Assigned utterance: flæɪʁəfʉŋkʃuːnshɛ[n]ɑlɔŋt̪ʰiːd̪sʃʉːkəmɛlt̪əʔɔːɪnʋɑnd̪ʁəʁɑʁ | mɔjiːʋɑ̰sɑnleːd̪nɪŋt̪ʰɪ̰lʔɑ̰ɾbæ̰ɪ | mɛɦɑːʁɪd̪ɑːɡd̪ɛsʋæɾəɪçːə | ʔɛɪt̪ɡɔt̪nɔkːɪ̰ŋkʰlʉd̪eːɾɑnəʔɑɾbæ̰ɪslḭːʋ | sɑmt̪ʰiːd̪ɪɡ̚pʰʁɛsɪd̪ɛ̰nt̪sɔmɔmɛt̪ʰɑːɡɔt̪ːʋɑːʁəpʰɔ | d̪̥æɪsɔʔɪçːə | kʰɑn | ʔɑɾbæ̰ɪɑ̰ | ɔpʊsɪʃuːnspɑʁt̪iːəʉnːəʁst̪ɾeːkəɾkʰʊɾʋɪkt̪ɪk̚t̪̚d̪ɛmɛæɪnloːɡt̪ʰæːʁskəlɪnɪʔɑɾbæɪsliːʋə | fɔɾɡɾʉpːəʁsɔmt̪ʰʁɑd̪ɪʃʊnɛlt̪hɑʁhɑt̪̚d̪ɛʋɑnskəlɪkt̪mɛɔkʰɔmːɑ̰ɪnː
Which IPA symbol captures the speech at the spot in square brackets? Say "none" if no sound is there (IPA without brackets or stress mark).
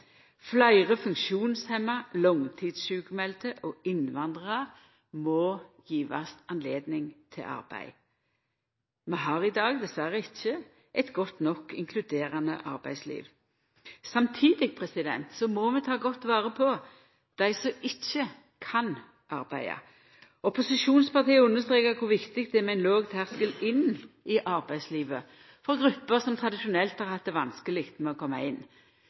m